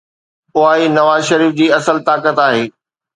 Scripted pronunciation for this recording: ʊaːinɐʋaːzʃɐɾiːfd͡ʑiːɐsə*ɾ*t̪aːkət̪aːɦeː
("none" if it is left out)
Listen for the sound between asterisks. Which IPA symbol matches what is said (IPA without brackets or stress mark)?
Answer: l